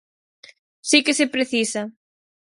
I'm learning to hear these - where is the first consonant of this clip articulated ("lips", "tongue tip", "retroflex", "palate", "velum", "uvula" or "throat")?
tongue tip